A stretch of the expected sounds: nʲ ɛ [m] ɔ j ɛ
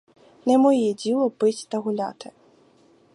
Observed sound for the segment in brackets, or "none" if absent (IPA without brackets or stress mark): m